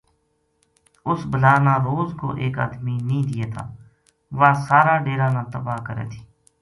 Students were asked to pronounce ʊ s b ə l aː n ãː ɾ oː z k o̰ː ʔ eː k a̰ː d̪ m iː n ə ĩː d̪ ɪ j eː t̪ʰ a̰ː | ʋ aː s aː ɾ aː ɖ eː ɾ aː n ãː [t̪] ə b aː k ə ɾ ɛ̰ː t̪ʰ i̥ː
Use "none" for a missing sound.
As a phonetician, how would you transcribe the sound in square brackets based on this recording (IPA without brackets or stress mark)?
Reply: t̪